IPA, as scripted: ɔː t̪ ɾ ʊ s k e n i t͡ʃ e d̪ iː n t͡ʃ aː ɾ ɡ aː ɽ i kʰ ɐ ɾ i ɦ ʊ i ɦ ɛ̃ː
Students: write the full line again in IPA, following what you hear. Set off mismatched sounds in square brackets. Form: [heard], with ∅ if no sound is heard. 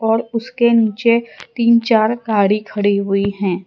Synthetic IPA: ɔː [∅] ɾ ʊ s k e n [iː] t͡ʃ e [t̪] iː n t͡ʃ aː ɾ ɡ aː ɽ i kʰ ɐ [ɽ] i ɦ ʊ i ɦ ɛ̃ː

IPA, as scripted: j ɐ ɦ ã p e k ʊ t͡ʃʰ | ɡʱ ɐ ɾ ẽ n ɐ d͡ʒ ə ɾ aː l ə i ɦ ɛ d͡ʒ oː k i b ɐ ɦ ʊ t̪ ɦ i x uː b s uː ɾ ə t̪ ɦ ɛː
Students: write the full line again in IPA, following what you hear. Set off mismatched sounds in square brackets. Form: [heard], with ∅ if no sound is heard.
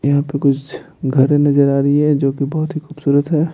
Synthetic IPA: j ɐ ɦ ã p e k ʊ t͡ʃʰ | ɡʱ ɐ ɾ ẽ n ɐ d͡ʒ ə ɾ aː [ɾ] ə i ɦ ɛ d͡ʒ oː k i b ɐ ɦ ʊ t̪ ɦ i x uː b s uː ɾ ə t̪ ɦ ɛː

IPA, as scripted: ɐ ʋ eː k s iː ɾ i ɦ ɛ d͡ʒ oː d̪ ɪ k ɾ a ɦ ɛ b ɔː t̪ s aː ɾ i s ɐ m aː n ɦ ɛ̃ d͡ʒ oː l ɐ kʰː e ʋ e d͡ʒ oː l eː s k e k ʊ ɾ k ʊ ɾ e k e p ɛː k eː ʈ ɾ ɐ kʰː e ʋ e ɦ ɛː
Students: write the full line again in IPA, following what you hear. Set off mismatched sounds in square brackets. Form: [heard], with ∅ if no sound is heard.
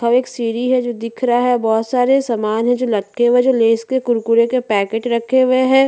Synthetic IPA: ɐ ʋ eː k s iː ɾ i ɦ ɛ d͡ʒ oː d̪ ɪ [kʰ] ɾ a ɦ ɛ b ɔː t̪ s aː ɾ [e] s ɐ m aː n ɦ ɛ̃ d͡ʒ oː l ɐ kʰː e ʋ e d͡ʒ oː l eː s k e k ʊ ɾ k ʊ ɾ e k e p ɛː k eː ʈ ɾ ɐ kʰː e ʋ e ɦ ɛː

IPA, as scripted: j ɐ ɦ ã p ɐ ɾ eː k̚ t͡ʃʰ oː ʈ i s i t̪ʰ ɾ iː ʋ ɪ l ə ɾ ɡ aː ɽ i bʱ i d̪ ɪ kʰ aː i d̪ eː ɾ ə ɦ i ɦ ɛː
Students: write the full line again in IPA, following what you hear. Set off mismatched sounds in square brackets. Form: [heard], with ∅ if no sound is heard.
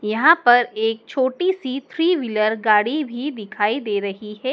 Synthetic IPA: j ɐ ɦ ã p ɐ ɾ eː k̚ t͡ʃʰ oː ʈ i s i t̪ʰ ɾ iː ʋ ɪ l ə ɾ ɡ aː ɽ i bʱ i d̪ ɪ kʰ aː i d̪ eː ɾ [ɐ] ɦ i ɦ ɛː

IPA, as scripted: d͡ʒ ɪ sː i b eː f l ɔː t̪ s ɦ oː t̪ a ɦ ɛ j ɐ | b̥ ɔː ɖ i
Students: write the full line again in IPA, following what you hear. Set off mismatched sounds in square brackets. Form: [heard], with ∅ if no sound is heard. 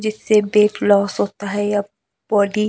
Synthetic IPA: d͡ʒ ɪ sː [e] b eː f l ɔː [∅] s ɦ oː t̪ a ɦ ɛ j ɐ | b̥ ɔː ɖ i

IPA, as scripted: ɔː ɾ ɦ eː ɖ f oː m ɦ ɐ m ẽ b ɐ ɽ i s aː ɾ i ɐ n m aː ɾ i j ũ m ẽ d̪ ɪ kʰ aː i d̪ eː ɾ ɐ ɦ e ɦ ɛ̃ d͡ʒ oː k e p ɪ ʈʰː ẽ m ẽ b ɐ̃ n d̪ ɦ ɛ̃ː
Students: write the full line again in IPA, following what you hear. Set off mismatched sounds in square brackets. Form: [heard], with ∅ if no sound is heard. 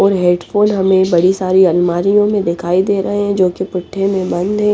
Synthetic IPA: ɔː ɾ ɦ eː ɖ f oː [n] ɦ ɐ m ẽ b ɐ ɽ i s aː ɾ i ɐ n m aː ɾ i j [õ] m ẽ d̪ ɪ kʰ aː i d̪ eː ɾ ɐ ɦ e ɦ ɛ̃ d͡ʒ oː k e p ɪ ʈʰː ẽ m ẽ b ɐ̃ n d̪ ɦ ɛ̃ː

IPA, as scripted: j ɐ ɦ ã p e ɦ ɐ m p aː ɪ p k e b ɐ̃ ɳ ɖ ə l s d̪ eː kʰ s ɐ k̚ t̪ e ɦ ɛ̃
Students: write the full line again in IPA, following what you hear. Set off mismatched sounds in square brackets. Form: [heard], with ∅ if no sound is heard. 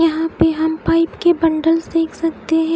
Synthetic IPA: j ɐ ɦ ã p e ɦ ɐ m p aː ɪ p k e b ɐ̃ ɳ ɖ ə l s d̪ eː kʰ s ɐ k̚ t̪ e ɦ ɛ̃

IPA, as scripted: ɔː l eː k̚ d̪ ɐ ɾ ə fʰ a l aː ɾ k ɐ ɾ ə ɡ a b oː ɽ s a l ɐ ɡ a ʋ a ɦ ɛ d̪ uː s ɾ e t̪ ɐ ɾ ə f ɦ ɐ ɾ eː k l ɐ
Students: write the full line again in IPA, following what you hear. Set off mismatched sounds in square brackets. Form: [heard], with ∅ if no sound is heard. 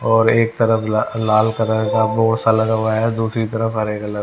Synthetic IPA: ɔː [ɾ] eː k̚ [t̪] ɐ ɾ ə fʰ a l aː [l] k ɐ ɾ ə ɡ a b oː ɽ s a l ɐ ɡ a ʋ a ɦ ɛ d̪ uː s ɾ [i] t̪ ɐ ɾ ə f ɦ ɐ ɾ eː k l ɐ

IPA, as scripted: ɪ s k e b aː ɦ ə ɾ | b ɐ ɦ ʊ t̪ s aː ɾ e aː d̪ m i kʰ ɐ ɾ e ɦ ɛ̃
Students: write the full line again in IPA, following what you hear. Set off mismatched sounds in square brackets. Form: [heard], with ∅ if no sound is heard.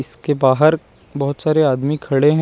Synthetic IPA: ɪ s k e b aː ɦ ə ɾ | b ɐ ɦ ʊ t̪ s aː ɾ e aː d̪ m i kʰ ɐ [ɽ] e ɦ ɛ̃

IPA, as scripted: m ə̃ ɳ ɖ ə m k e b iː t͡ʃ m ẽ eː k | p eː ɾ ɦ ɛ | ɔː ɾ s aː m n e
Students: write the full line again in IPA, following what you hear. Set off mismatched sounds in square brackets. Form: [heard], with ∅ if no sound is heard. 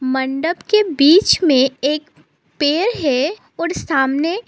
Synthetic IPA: m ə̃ ɳ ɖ ə [b] k e b iː t͡ʃ m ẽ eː k | p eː ɾ ɦ ɛ | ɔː ɾ s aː m n e

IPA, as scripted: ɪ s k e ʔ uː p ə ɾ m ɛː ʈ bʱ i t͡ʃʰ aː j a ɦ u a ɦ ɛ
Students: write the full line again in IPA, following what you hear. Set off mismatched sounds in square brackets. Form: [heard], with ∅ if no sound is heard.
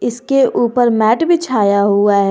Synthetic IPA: ɪ s k e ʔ uː p ə ɾ m ɛː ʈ bʱ i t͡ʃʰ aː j a ɦ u a ɦ ɛ

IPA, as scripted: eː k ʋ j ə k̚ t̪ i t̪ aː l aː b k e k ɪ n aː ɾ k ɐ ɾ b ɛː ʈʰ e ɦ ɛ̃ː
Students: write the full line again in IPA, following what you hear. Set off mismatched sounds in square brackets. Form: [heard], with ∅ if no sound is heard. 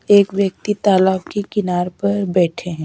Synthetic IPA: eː k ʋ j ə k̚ t̪ i t̪ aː l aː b k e k ɪ n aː ɾ [p] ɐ ɾ b ɛː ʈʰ e ɦ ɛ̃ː

